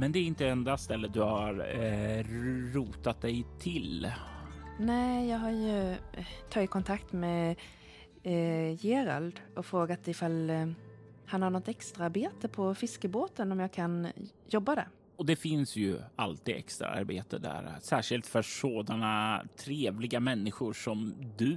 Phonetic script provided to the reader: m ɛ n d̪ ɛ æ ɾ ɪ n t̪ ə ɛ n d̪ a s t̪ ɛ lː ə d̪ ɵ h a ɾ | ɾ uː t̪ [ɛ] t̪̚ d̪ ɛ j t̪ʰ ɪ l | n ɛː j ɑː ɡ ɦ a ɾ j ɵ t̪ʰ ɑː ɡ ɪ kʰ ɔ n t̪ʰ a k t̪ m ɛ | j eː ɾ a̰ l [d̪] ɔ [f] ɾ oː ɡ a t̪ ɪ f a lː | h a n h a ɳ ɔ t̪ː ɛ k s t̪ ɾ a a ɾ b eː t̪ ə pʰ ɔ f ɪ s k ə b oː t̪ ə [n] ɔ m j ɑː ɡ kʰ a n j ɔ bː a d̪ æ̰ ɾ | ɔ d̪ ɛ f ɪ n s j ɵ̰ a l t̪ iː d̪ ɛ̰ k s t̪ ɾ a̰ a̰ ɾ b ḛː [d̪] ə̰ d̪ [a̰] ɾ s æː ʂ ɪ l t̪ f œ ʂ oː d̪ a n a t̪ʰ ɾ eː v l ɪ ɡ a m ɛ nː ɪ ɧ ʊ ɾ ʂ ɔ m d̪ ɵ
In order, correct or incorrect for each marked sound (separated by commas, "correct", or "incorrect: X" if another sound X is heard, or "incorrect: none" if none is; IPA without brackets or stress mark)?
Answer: incorrect: a, correct, correct, correct, incorrect: t̪, incorrect: æ̰